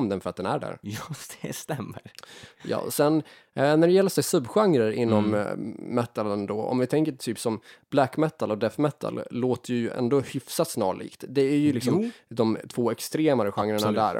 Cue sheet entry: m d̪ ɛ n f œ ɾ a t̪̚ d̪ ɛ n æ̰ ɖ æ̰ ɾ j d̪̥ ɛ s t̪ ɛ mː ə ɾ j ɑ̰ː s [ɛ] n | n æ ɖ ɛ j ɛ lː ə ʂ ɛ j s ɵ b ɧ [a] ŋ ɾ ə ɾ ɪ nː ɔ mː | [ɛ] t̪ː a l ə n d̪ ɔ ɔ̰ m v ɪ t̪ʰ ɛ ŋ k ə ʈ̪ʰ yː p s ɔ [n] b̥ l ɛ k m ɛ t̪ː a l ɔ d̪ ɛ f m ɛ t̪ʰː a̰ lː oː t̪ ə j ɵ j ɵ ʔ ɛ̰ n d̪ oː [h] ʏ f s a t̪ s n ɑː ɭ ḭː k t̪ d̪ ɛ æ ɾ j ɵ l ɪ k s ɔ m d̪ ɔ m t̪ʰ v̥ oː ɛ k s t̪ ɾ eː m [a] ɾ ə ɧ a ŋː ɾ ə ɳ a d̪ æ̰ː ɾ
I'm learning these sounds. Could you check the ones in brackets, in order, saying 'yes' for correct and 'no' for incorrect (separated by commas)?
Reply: yes, yes, yes, no, yes, yes